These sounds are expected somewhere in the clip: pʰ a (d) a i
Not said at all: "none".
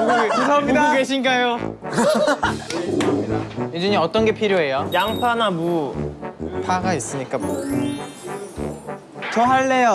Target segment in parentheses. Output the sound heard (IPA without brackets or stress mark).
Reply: ɡ